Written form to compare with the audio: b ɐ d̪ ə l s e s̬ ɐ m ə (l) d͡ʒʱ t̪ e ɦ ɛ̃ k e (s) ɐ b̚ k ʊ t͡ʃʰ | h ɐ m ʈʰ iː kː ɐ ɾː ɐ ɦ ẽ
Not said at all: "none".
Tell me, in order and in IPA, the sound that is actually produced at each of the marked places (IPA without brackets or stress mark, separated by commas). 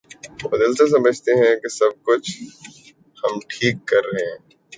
none, s